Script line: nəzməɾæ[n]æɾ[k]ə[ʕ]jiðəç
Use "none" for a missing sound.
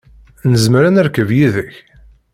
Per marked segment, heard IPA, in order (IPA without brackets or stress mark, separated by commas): n, k, v